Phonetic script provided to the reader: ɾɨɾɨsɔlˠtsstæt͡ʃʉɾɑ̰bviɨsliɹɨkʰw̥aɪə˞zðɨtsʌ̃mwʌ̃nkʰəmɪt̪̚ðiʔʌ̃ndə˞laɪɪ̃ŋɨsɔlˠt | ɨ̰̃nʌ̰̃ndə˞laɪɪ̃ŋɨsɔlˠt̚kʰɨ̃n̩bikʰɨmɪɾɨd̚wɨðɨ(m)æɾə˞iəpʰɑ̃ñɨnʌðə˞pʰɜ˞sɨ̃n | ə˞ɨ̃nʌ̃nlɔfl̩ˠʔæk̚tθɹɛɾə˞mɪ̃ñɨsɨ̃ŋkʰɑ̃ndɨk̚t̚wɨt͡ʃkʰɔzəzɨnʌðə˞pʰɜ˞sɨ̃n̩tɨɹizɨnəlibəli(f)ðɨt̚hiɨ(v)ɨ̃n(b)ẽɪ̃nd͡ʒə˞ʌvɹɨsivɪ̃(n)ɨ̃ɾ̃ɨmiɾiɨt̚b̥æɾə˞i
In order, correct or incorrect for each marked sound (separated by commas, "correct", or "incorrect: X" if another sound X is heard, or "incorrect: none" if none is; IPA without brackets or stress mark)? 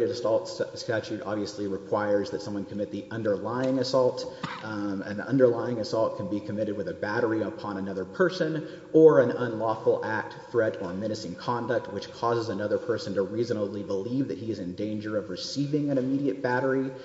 incorrect: b, incorrect: v, incorrect: z, incorrect: d, incorrect: ŋ